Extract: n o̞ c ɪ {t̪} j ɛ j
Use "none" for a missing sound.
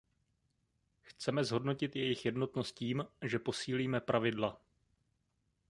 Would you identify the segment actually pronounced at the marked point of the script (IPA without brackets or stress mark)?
t̪